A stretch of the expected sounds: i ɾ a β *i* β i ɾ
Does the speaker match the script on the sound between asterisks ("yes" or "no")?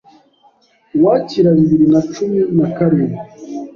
yes